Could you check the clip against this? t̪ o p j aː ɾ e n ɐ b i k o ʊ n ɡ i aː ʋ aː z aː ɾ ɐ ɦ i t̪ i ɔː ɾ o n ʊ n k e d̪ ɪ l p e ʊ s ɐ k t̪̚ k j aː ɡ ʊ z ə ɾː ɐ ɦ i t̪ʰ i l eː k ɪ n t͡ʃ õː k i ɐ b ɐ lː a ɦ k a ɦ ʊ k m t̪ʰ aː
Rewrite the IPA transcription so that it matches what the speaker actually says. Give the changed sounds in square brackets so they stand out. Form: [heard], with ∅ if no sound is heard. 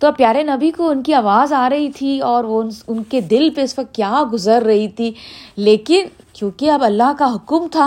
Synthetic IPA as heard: t̪ o p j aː ɾ e n ɐ b i k o ʊ n [k] i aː ʋ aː z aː ɾ ɐ ɦ i [t̪ʰ] i ɔː ɾ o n ʊ n k e d̪ ɪ l p e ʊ s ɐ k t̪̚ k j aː ɡ ʊ z ə ɾː ɐ ɦ i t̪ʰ i l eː k ɪ n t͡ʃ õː k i ɐ b ɐ lː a ɦ k a ɦ ʊ k m t̪ʰ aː